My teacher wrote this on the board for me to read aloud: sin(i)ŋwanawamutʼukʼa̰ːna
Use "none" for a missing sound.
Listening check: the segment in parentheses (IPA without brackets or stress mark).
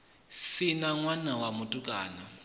a